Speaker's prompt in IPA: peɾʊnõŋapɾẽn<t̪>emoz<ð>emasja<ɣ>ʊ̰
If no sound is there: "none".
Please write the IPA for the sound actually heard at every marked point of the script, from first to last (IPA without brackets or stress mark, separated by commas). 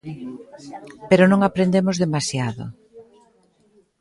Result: d̪, ð, ð